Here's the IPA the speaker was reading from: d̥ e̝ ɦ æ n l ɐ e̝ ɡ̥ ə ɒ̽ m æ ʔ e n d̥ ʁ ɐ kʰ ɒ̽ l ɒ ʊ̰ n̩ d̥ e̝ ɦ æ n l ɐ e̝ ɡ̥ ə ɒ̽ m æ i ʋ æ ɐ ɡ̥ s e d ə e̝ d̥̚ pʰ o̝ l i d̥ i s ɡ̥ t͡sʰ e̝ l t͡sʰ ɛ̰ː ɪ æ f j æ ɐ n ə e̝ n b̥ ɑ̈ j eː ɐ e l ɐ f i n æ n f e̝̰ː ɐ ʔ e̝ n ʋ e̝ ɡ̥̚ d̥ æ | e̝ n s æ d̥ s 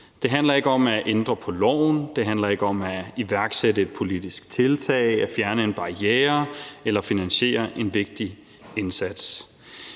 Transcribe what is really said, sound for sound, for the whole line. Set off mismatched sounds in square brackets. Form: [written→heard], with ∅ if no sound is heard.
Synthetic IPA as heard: d̥ e̝ ɦ æ n l ɐ e̝ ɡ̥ ə ɒ̽ m æ ʔ e n d̥ ʁ ɐ [kʰ→pʰ] ɒ̽ l ɒ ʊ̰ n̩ d̥ e̝ ɦ æ n l ɐ e̝ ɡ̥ ə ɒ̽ m æ i ʋ æ ɐ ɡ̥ s e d ə e̝ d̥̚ pʰ o̝ l i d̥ i s ɡ̥ t͡sʰ e̝ l t͡sʰ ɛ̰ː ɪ æ f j æ ɐ n ə e̝ n b̥ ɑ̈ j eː ɐ e l ɐ f i n æ n [f→ɕ] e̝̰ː ɐ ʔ e̝ n ʋ e̝ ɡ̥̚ d̥ [æ→i] | e̝ n s æ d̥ s